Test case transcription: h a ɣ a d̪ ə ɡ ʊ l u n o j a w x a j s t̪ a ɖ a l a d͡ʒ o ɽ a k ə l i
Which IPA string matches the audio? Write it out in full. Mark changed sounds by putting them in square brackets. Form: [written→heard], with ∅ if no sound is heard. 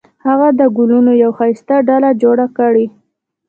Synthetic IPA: h a ɣ a d̪ ə ɡ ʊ l u n o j a w x a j s t̪ a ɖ a l a d͡ʒ o ɽ a k ə [l→ɽ] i